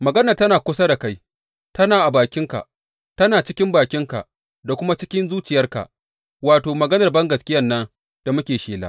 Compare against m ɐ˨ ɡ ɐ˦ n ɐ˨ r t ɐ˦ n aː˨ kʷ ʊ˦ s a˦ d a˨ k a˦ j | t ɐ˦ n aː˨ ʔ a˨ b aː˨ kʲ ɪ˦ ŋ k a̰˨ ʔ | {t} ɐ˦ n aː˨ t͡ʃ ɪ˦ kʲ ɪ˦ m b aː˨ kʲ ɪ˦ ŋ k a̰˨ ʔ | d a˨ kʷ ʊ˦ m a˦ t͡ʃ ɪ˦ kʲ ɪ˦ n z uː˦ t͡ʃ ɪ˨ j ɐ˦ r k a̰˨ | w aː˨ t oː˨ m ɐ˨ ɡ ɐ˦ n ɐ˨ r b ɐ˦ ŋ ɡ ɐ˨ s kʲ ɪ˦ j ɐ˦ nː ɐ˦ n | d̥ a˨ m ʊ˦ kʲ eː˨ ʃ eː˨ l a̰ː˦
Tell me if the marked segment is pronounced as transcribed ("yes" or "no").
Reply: yes